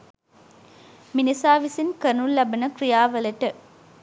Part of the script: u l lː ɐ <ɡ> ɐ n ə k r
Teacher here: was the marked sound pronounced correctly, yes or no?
no